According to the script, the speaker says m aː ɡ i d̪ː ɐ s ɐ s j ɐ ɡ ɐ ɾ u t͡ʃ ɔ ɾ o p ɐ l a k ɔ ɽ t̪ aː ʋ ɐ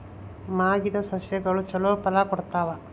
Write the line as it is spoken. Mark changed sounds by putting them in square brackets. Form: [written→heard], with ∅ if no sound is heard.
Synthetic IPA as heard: m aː ɡ i [d̪ː→d̪] ɐ s ɐ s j ɐ ɡ ɐ [ɾ→ɭ] u t͡ʃ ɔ [ɾ→l] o p ɐ l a k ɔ ɽ t̪ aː ʋ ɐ